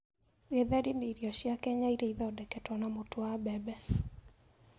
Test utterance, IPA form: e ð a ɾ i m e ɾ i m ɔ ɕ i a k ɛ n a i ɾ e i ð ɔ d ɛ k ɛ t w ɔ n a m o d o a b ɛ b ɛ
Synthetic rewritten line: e ð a ɾ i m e ɾ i ɔ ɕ j a k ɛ ɲ a i ɾ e i ð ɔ d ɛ k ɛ t w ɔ n a m o t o a b ɛ b ɛ